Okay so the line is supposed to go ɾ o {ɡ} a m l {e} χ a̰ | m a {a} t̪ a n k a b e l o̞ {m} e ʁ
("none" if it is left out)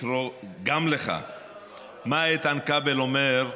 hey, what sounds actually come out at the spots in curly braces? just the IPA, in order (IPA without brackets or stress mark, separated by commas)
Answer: ɡ, e, e, m